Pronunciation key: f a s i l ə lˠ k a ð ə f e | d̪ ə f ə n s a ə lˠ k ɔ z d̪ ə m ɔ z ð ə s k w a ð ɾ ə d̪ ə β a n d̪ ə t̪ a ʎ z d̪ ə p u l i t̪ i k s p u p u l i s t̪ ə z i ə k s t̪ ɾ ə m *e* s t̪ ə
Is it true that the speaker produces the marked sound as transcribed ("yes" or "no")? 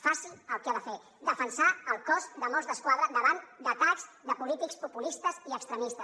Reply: no